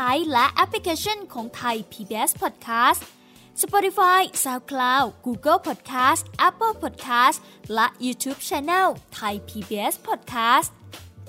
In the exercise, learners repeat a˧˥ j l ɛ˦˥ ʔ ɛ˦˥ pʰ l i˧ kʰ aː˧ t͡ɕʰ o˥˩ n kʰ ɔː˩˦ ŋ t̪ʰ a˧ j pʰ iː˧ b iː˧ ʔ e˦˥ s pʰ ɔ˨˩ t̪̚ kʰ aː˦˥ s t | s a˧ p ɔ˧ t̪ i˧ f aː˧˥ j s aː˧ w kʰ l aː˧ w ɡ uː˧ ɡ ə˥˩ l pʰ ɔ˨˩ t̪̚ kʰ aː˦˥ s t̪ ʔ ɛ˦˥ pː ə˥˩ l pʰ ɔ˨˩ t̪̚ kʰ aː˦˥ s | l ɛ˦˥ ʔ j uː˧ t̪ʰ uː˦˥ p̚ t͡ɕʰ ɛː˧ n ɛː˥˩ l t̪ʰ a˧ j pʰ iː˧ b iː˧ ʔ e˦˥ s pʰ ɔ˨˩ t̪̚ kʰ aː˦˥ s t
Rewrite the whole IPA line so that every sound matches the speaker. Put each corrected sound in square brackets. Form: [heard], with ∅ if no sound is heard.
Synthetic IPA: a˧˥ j l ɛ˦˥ ʔ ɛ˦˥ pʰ l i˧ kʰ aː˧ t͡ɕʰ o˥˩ n kʰ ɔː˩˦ ŋ t̪ʰ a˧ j pʰ iː˧ b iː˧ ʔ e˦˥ s pʰ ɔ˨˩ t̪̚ kʰ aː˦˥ s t | s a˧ p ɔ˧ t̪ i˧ f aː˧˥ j s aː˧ w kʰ l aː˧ w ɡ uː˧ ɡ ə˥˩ l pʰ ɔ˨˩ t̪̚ kʰ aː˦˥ s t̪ ʔ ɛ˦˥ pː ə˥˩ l pʰ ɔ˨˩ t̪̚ kʰ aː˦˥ s | l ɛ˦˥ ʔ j uː˧ t̪ʰ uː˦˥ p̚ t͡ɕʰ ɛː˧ n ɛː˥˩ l t̪ʰ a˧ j pʰ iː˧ b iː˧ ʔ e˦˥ s pʰ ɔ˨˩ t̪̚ kʰ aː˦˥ s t